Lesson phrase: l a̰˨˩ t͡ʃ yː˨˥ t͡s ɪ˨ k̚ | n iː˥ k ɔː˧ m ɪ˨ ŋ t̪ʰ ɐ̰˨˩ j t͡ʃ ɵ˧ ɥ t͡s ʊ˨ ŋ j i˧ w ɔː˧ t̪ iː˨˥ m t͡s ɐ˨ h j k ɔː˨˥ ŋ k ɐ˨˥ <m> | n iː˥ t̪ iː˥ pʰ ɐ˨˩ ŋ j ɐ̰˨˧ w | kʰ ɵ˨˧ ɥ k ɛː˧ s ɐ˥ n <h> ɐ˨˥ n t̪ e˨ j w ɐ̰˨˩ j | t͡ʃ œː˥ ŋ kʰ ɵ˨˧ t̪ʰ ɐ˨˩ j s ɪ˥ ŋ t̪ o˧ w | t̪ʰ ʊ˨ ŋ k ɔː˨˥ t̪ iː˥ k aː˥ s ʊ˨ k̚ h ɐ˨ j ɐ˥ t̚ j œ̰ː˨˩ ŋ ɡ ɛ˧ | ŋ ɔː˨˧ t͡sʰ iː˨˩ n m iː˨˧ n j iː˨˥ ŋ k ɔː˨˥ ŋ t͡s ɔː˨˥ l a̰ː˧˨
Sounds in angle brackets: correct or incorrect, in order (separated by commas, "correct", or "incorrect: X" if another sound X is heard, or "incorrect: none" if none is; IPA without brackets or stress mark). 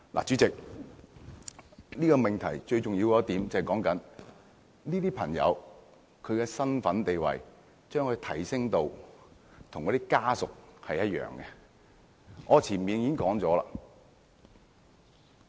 incorrect: n, incorrect: f